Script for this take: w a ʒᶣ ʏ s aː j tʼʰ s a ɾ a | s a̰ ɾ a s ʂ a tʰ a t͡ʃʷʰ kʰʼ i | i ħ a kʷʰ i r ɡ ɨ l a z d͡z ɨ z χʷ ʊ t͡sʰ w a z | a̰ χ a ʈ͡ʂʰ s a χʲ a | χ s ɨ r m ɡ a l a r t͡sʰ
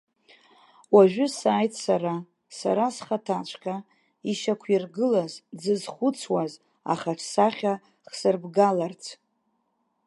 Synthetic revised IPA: w a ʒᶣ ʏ s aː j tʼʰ s a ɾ a | s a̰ ɾ a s χ a tʰ a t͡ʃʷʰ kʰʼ a | i ʃ a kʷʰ i r ɡ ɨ l a z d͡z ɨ z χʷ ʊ t͡sʰ w a z | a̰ χ a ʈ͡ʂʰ s a χʲ a | χ s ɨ r b ɡ a l a r t͡sʰ